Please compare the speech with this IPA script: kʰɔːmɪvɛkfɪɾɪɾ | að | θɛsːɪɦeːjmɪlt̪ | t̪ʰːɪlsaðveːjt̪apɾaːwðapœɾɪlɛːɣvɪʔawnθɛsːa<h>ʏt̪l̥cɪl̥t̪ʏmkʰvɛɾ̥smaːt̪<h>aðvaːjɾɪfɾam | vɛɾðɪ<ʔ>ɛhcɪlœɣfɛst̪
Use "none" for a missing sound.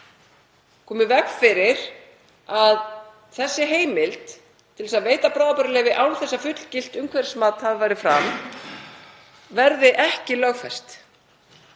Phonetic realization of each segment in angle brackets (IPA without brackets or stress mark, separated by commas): f, h, ʔ